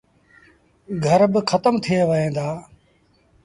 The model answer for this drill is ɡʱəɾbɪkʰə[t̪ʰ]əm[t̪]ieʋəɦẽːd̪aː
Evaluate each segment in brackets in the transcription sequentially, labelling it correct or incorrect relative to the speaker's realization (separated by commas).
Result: incorrect, incorrect